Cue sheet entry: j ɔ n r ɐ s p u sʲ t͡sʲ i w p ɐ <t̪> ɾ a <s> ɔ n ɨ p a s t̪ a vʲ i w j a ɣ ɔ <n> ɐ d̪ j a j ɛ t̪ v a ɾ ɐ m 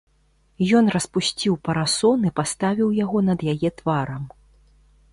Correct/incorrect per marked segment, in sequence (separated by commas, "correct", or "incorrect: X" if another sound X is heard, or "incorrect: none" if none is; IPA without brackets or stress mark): incorrect: none, correct, correct